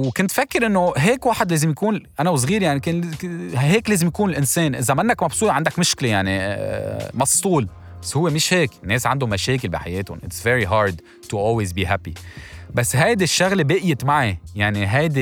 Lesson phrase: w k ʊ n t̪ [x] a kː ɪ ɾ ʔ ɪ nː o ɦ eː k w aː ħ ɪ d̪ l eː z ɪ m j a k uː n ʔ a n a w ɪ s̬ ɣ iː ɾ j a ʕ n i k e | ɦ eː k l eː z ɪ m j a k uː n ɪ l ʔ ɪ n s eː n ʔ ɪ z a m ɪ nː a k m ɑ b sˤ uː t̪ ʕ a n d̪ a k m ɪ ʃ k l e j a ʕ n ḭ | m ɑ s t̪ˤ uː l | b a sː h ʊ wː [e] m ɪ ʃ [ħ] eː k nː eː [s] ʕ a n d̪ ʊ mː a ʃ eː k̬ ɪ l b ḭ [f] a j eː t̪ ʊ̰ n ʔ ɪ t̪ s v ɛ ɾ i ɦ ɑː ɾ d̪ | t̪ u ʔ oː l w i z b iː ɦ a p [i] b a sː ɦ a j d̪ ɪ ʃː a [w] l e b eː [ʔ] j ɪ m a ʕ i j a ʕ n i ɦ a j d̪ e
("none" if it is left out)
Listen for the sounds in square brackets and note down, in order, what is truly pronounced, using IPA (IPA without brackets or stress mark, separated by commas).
f, e, h, s, ħ, i, ɣ, ʔ